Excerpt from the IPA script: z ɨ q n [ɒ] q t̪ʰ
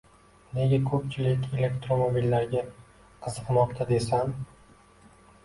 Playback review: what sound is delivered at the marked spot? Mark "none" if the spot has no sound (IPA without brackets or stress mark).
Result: ɒ